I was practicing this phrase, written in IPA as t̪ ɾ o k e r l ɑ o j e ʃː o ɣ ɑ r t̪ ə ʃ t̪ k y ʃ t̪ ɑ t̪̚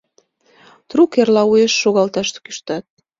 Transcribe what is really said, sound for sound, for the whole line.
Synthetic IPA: t̪ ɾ u k e r l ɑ u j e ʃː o ɣ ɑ l t̪ ɑ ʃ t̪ k y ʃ t̪ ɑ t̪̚